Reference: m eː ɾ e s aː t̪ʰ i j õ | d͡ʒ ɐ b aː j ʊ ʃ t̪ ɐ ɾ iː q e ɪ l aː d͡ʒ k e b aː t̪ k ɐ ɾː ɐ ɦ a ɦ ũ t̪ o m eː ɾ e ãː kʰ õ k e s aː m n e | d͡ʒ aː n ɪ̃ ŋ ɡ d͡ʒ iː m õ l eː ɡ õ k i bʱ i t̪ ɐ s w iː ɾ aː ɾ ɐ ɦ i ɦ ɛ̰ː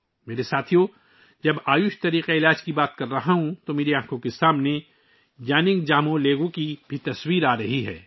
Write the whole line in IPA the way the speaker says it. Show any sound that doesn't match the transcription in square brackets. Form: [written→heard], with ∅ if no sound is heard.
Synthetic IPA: m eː ɾ e s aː t̪ʰ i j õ | d͡ʒ ɐ b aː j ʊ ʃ t̪ ɐ ɾ iː q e ɪ l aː d͡ʒ k [e→i] b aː t̪ k ɐ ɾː ɐ ɦ a ɦ ũ t̪ o m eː ɾ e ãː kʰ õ k e s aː m n e | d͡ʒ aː n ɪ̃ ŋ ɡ d͡ʒ [iː→aː] m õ l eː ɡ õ k i bʱ i t̪ ɐ s w iː ɾ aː ɾ ɐ ɦ i ɦ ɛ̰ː